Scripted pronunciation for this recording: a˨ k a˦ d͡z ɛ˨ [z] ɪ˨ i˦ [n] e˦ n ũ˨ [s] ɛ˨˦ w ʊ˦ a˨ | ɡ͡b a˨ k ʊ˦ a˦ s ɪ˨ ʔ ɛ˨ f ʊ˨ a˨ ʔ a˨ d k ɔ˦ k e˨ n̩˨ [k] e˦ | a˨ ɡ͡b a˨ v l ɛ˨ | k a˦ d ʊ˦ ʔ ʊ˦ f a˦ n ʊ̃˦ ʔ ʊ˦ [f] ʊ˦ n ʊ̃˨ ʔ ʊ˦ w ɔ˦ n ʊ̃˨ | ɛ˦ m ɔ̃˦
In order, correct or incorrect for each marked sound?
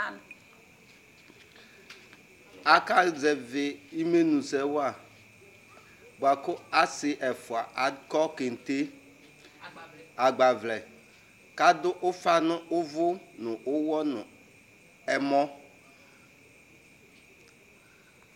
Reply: incorrect: v, incorrect: m, correct, incorrect: t, incorrect: v

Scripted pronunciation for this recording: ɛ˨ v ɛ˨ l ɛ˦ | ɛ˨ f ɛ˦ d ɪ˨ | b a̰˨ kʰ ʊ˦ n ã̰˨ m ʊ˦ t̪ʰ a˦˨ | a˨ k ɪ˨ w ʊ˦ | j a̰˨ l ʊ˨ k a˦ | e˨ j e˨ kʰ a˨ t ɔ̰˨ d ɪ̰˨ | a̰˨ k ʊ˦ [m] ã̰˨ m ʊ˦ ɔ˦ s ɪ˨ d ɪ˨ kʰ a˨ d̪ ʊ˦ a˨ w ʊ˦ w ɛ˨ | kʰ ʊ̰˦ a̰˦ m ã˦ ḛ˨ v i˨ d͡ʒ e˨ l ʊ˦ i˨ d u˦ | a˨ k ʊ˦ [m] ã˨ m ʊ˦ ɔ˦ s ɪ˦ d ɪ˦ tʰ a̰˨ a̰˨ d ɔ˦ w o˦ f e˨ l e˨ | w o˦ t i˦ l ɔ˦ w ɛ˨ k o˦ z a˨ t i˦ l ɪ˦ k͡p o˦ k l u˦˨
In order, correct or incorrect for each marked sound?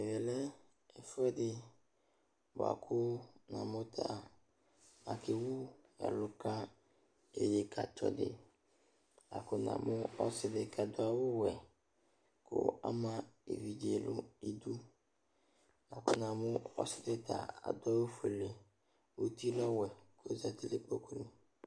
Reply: incorrect: n, incorrect: n

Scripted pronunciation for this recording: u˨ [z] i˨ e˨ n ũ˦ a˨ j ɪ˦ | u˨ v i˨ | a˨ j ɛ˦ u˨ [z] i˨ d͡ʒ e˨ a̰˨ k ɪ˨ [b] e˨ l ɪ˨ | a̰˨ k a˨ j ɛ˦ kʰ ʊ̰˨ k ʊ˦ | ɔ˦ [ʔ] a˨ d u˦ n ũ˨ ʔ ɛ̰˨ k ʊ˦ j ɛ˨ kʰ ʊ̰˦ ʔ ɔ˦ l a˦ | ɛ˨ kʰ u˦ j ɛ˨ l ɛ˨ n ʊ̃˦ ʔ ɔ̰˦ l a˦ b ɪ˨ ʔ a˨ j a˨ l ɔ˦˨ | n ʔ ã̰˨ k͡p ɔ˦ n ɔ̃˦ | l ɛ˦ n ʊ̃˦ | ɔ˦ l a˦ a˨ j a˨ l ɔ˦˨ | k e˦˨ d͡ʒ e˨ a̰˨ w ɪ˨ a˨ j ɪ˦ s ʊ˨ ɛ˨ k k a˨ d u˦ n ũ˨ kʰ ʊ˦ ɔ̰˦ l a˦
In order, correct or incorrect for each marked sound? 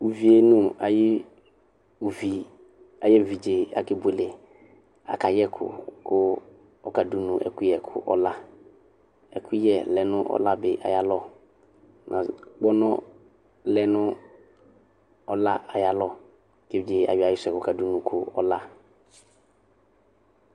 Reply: incorrect: v, incorrect: v, correct, incorrect: k

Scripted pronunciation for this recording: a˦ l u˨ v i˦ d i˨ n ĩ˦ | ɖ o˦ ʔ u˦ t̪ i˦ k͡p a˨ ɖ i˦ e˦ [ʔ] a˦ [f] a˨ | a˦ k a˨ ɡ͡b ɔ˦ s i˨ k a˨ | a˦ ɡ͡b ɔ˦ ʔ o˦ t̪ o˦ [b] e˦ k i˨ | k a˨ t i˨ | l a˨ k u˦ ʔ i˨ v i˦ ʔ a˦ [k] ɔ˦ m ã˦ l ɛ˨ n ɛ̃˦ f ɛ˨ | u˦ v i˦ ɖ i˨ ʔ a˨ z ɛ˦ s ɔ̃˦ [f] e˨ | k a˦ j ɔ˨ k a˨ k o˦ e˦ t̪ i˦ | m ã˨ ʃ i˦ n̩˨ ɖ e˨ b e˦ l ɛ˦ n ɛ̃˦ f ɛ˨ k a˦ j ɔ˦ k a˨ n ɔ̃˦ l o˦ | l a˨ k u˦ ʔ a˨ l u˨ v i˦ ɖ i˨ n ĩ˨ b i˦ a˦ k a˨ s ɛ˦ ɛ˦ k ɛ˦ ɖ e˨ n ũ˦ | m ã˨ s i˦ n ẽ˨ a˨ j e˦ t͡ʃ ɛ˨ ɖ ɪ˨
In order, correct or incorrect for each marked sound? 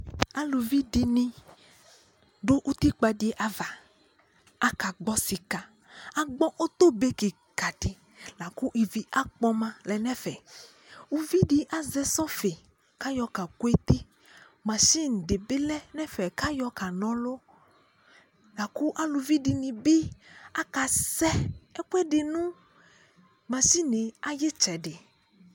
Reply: correct, incorrect: v, correct, incorrect: k͡p, correct

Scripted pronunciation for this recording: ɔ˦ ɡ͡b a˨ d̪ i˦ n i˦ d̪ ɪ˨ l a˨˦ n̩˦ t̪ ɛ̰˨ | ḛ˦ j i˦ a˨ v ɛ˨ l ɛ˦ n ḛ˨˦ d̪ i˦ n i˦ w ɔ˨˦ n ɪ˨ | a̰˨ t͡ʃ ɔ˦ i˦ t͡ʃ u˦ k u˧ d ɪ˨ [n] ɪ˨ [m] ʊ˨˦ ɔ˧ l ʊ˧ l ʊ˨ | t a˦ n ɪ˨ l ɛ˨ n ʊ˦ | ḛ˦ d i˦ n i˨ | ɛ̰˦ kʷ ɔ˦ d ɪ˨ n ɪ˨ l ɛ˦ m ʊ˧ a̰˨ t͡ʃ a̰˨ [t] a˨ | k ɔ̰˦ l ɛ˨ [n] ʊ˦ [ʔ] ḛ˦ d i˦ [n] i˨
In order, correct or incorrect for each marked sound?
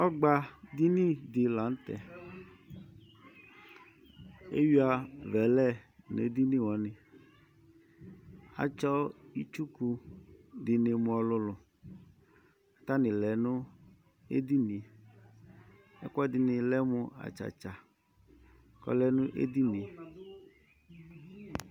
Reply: correct, correct, incorrect: t͡ʃ, correct, correct, correct

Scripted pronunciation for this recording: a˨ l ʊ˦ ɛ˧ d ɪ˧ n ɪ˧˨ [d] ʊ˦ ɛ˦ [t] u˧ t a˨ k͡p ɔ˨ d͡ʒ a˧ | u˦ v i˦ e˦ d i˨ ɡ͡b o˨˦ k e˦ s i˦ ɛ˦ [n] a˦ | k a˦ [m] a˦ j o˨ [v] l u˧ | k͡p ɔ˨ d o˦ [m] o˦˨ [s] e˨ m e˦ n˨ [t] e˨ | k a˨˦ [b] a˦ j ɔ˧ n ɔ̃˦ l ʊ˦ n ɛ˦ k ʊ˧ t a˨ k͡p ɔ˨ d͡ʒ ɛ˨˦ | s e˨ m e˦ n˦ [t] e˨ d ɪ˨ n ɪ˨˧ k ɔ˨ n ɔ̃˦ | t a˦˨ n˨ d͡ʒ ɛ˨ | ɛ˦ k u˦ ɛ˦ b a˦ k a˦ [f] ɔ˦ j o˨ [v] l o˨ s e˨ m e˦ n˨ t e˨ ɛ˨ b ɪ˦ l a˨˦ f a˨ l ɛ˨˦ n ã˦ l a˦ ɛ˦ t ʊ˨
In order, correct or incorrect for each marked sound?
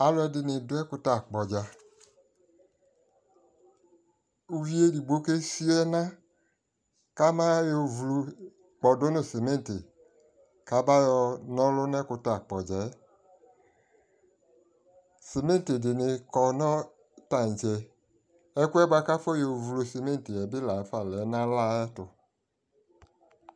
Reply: correct, incorrect: k, correct, correct, correct, incorrect: n, correct, correct, correct, correct, correct, correct

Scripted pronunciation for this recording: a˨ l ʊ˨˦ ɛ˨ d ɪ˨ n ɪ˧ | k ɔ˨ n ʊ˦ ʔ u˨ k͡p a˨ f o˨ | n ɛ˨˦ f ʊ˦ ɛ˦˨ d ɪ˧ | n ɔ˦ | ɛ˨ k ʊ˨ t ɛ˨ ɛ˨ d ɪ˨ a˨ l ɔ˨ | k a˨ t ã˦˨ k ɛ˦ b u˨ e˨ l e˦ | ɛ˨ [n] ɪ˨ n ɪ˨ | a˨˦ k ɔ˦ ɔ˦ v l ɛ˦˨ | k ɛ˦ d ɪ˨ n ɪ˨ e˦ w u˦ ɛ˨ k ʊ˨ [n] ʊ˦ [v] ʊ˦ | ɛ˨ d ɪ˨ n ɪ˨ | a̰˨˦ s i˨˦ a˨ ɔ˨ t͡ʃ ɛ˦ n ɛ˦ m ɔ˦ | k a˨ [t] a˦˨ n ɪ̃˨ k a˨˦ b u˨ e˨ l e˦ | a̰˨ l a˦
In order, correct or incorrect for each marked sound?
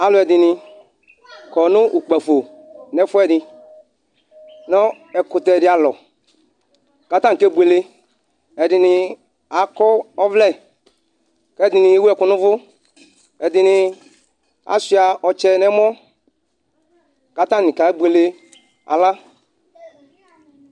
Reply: incorrect: d, correct, correct, correct

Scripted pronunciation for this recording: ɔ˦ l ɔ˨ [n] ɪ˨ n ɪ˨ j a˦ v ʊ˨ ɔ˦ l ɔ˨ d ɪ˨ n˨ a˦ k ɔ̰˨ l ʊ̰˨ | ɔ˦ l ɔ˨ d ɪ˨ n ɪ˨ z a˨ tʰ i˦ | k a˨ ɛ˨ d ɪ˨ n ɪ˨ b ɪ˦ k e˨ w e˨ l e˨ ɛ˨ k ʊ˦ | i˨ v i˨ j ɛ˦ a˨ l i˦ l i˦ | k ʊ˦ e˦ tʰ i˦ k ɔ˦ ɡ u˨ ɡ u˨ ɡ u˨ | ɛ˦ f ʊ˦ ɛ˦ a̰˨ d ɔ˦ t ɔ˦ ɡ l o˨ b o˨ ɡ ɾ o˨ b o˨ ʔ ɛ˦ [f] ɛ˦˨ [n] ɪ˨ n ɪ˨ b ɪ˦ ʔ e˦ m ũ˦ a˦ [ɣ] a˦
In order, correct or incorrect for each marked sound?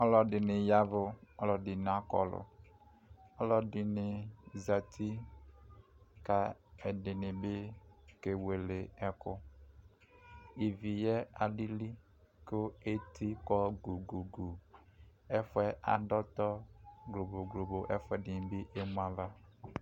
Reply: incorrect: d, correct, incorrect: d, incorrect: v

